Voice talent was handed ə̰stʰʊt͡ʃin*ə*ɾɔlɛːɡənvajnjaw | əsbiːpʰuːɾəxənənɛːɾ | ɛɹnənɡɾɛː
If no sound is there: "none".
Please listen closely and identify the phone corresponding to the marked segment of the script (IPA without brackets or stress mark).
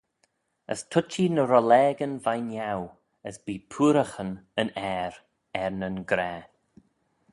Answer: ə